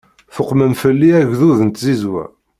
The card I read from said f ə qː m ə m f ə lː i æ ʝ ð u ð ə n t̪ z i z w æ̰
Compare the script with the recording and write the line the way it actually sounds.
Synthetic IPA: f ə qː m ə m f ə lː i æ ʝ ð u ð ə n t̪ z i z w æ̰